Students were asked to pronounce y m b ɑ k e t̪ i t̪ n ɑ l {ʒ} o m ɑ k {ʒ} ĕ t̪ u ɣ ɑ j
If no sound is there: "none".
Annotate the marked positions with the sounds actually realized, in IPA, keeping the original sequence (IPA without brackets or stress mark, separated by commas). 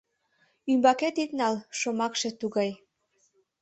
ʃ, ʃ